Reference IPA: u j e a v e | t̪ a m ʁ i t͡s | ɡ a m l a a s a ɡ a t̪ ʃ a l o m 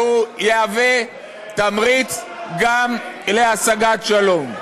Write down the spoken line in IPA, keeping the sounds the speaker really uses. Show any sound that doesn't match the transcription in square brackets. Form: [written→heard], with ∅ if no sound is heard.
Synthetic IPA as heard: u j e a v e | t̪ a m ʁ i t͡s | ɡ a m l [a→e] a s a ɡ a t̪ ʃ a l o m